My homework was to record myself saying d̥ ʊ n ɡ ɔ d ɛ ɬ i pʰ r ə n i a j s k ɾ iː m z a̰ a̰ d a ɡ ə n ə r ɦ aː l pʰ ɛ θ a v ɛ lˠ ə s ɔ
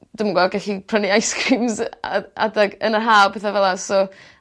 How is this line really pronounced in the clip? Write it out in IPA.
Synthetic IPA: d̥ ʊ m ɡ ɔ ɡ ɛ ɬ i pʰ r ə n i a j s k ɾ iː m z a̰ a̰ d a ɡ ə n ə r ɦ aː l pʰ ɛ θ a v ɛ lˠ a s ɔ